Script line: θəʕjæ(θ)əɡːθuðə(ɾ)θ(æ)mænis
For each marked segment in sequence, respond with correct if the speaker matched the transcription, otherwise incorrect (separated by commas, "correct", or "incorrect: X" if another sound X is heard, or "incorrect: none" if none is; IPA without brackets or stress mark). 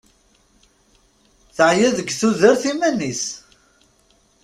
incorrect: ð, correct, incorrect: i